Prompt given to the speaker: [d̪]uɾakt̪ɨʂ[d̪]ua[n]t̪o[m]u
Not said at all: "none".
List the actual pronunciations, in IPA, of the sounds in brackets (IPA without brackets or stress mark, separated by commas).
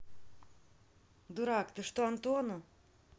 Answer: d̪, t̪, n, n